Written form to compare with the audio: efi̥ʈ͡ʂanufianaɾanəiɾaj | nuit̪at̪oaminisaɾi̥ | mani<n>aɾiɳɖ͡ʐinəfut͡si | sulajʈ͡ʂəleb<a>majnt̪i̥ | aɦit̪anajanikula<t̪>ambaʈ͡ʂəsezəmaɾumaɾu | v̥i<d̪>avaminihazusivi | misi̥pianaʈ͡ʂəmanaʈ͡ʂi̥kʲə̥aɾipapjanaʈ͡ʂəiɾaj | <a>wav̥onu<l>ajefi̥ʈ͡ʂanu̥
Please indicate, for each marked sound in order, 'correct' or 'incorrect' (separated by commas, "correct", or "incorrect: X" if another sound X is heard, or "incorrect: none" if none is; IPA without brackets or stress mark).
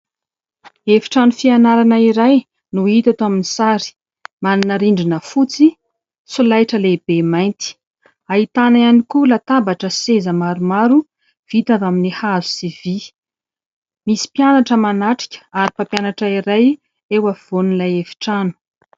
correct, incorrect: e, correct, incorrect: t̪, incorrect: e, correct